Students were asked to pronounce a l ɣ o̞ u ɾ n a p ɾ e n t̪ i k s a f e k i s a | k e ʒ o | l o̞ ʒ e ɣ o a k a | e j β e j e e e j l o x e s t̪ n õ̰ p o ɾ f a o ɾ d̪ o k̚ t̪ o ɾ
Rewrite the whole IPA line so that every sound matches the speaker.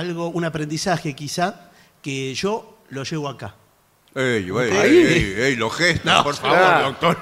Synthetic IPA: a l ɣ o̞ u n a p ɾ e n d̪ i s a x e k i s a | k e ʒ o | l o̞ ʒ e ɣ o a k a | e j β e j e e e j l o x e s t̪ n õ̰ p o ɾ f a o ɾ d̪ o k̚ t̪ o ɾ